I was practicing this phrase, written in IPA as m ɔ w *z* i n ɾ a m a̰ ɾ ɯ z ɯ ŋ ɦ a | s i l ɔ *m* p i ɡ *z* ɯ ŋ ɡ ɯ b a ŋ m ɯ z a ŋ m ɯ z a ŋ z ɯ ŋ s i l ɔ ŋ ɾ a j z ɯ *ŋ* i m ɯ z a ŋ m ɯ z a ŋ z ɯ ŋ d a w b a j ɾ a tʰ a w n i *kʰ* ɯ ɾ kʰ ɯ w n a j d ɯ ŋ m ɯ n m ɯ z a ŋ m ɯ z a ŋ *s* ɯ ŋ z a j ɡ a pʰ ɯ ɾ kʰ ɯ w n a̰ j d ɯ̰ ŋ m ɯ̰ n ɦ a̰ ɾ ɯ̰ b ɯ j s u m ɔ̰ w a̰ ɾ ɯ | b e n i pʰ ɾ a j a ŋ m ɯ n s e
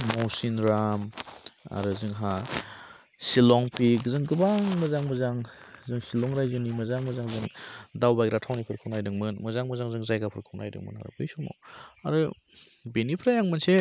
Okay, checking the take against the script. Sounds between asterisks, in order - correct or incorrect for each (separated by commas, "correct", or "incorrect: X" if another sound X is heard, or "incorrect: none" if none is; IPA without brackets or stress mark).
incorrect: s, incorrect: ŋ, correct, incorrect: n, incorrect: pʰ, incorrect: z